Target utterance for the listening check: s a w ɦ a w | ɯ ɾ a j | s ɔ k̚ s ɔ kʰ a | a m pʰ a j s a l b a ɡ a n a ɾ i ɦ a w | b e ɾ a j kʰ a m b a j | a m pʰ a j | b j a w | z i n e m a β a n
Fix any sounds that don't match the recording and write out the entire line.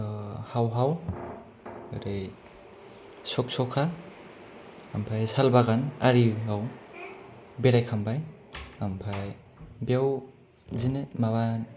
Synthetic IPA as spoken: h a w ɦ a w | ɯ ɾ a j | s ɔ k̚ s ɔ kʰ a | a m pʰ a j s a l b a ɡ a n a ɾ i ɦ a w | b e ɾ a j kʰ a m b a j | a m pʰ a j | b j a w | z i n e m a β a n